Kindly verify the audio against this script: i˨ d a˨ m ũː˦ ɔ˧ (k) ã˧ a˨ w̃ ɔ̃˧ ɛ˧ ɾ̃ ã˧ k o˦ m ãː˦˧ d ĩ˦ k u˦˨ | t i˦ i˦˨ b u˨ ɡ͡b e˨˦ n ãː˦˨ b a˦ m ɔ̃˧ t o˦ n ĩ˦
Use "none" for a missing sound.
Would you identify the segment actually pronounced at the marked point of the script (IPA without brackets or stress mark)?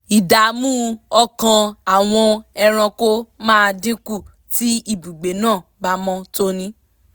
k